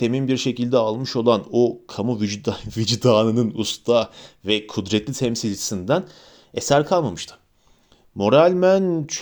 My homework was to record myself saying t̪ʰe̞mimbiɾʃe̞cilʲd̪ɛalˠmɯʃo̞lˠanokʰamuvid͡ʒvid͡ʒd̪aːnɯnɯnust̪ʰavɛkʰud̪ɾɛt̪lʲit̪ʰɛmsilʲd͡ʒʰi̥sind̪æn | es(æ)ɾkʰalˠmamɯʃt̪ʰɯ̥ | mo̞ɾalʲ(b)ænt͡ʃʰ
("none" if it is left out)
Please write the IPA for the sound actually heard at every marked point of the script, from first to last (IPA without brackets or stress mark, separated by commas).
æ, m